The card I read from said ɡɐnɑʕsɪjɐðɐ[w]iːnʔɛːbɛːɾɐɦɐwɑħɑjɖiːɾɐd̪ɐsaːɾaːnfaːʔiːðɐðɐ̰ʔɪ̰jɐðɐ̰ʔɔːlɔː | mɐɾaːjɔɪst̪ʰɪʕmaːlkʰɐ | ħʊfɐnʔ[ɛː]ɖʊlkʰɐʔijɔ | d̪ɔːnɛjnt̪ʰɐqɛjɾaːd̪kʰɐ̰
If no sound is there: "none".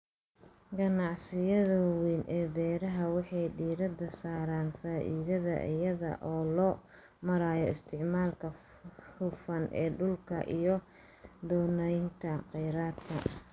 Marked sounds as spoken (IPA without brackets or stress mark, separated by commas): w, ɛː